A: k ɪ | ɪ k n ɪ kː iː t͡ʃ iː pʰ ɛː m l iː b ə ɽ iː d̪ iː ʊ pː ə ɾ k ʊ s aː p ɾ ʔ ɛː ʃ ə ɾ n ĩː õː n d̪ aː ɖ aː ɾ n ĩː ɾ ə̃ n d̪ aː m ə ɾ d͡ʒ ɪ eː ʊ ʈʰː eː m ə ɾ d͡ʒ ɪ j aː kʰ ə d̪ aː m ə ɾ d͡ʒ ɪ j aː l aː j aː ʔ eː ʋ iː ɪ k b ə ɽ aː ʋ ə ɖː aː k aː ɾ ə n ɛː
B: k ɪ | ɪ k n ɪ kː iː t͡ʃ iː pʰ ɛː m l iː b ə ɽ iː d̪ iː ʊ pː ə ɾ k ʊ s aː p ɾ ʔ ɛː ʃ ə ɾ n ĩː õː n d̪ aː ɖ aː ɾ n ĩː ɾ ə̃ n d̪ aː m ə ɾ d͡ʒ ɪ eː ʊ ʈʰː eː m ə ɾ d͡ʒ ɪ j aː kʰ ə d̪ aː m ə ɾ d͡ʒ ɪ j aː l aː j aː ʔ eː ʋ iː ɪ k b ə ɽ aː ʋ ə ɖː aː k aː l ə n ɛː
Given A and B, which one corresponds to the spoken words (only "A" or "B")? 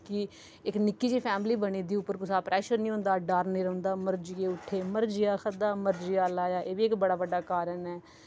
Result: A